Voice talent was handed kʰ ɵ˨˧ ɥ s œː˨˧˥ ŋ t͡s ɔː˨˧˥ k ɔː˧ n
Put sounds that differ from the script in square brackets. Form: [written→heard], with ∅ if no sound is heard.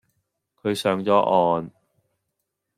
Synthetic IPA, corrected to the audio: kʰ ɵ˨˧ ɥ s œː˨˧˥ ŋ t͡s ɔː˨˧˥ [k→ʔ] ɔː˧ n